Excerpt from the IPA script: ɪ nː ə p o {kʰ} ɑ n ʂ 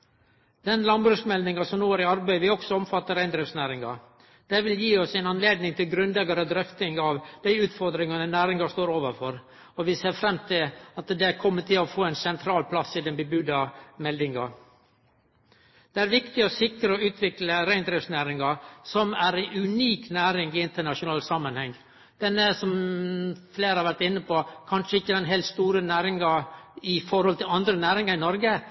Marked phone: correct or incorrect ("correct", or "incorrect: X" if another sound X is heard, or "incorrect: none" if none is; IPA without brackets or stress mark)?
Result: correct